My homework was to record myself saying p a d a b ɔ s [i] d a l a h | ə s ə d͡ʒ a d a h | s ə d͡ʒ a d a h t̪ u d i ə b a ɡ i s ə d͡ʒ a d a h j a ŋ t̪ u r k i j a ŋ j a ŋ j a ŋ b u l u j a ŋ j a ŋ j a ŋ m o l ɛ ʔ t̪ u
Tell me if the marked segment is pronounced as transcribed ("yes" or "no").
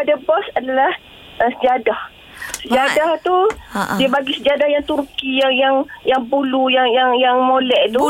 no